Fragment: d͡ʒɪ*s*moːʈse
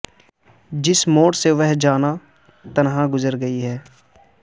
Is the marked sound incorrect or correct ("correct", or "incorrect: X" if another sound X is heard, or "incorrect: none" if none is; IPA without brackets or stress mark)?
correct